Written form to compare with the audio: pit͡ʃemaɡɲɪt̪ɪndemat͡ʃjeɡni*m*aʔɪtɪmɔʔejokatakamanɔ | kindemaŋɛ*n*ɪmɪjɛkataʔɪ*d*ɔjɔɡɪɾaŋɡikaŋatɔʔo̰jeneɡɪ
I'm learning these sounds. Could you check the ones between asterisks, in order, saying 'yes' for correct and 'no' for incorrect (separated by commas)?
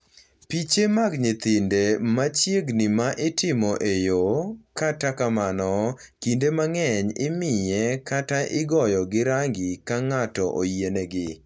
yes, no, no